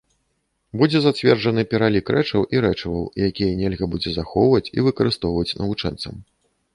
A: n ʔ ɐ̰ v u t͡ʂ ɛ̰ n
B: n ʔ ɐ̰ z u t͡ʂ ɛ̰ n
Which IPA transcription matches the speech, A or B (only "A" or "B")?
A